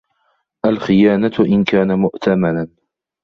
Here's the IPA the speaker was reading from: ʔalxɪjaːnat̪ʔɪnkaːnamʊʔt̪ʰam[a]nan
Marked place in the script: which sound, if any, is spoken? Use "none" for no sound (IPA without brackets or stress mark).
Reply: a